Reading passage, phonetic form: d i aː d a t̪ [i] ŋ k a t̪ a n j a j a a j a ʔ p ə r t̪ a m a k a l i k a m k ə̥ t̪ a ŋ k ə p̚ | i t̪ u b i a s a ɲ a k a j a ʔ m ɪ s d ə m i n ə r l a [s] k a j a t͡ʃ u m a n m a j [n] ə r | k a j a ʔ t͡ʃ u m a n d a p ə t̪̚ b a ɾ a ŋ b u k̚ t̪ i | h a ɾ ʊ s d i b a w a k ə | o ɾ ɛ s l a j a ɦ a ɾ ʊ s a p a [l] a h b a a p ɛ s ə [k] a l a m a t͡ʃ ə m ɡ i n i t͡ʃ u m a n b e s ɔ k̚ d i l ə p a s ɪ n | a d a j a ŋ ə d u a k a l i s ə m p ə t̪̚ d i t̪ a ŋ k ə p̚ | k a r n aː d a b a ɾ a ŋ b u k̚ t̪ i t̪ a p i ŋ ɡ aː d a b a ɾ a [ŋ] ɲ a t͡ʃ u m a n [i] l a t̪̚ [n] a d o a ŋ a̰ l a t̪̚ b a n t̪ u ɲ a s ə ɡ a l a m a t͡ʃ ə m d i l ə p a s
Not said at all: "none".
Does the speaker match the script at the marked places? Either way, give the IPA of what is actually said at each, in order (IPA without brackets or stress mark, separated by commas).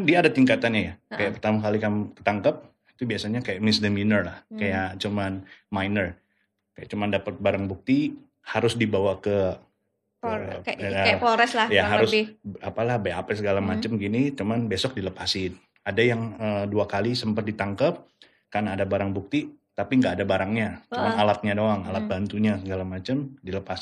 i, h, n, l, ɡ, ŋ, a, ɲ